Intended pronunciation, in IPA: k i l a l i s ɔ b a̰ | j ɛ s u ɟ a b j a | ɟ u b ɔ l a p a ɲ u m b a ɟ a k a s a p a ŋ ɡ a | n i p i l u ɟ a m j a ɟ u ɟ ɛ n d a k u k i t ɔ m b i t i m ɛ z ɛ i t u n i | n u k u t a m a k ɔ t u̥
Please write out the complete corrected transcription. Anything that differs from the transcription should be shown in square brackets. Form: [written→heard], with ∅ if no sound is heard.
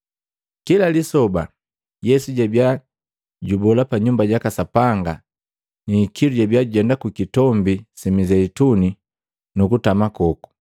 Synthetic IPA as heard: k i l a l i s ɔ b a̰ | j ɛ s u ɟ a b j a | ɟ u b ɔ l a p a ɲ u m b a ɟ a k a s a p a ŋ ɡ a | n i [p→k] i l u ɟ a [m→b] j a ɟ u ɟ ɛ n d a k u k i t ɔ m b i [t→s] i m [ɛ→i] z ɛ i t u n i | n u k u t a m a k ɔ [t→k] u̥